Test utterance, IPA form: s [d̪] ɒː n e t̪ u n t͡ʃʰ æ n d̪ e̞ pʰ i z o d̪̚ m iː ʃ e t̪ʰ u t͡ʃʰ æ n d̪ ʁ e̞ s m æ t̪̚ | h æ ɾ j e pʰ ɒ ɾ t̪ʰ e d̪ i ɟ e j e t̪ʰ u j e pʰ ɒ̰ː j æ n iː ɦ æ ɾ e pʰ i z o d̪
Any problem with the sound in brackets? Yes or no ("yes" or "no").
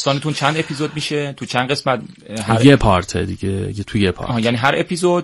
yes